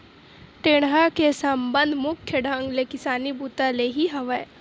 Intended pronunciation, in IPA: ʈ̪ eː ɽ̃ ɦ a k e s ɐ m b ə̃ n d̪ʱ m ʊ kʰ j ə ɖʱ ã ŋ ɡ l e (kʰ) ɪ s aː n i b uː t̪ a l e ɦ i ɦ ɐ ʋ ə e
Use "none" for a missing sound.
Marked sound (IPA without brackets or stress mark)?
k